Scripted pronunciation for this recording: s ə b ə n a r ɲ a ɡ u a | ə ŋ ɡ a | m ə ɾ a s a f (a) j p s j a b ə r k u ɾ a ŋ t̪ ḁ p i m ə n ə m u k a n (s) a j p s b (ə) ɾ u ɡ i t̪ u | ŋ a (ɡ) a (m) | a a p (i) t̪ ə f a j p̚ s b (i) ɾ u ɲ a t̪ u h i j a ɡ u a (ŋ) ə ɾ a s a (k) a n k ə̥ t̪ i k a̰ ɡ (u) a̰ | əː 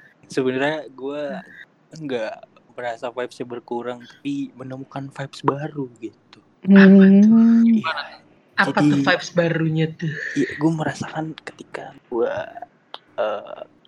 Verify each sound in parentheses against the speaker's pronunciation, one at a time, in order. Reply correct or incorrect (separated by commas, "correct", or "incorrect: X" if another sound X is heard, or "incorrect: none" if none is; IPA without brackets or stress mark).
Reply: correct, incorrect: f, incorrect: a, incorrect: ŋ, incorrect: ŋ, incorrect: a, incorrect: a, incorrect: m, correct, correct